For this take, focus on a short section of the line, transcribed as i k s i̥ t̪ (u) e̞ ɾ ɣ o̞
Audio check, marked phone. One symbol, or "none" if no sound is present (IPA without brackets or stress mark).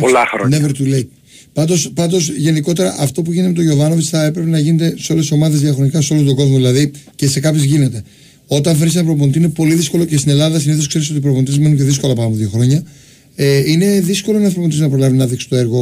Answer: o